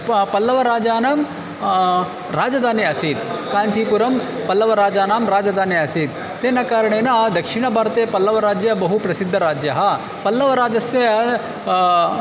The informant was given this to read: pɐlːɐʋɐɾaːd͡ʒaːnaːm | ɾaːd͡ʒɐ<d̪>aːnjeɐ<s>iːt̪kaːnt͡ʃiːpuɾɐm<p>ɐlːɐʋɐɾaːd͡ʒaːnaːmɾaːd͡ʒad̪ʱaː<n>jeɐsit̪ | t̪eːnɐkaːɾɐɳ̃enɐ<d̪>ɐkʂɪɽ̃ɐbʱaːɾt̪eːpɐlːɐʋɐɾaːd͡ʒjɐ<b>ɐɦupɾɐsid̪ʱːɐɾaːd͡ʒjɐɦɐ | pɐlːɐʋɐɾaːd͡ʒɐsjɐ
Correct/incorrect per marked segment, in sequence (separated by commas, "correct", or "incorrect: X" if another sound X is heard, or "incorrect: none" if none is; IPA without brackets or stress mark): correct, correct, correct, correct, correct, correct